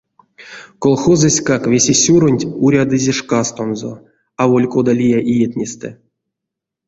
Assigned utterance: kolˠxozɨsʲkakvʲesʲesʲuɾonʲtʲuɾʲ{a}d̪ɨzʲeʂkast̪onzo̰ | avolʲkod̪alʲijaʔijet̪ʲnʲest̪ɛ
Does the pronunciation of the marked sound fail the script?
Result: no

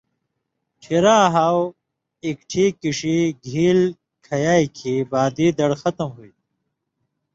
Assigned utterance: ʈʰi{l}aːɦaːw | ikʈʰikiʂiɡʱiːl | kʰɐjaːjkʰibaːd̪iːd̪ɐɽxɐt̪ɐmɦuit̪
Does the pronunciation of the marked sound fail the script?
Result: yes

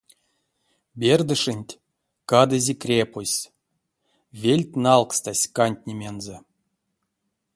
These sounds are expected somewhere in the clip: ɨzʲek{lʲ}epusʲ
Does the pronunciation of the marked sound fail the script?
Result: yes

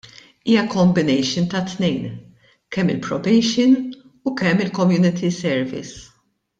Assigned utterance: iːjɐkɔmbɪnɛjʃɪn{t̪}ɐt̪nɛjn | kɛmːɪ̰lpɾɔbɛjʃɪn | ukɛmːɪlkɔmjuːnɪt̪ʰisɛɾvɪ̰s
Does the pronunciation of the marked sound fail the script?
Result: no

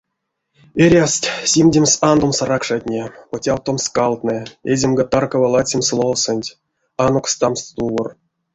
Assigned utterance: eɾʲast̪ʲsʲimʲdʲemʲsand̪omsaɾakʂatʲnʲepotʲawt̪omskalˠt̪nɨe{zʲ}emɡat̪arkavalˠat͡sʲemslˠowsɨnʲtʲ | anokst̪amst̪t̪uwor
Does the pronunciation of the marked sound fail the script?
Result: no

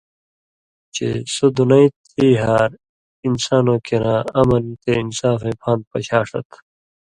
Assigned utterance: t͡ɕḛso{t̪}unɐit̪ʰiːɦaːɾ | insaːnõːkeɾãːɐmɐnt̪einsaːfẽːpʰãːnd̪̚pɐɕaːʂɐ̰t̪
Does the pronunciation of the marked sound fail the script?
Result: yes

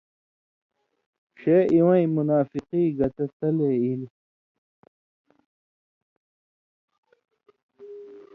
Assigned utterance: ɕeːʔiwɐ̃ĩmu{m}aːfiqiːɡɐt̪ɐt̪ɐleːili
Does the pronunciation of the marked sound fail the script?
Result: yes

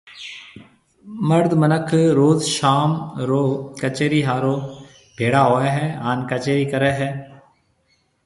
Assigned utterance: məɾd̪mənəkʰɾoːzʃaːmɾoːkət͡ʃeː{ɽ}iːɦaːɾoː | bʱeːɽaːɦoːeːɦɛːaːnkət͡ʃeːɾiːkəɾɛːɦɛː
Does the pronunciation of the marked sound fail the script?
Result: yes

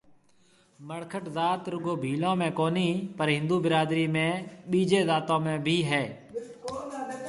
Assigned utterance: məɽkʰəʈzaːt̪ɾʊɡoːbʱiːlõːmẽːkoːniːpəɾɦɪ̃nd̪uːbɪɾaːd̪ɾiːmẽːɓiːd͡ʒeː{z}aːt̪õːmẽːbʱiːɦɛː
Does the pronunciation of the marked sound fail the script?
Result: no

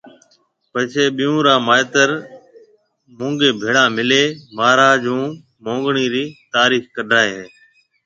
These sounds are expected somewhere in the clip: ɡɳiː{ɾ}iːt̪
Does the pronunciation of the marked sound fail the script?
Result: no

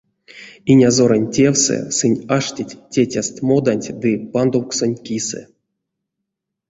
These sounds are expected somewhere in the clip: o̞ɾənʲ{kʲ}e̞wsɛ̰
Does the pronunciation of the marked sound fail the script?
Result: yes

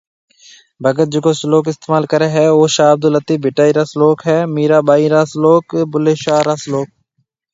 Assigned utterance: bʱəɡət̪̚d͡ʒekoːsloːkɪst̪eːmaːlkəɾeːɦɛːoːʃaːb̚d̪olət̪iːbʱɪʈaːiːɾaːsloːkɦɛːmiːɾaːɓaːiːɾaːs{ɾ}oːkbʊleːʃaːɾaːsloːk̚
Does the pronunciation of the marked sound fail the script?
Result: yes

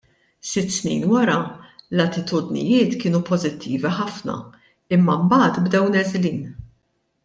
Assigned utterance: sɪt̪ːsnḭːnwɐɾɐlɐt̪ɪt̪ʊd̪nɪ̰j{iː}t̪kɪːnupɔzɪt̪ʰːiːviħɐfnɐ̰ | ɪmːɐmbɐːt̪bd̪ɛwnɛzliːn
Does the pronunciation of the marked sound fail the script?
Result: yes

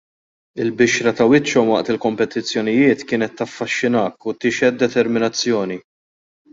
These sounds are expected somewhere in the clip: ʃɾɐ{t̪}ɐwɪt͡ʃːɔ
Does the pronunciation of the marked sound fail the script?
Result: no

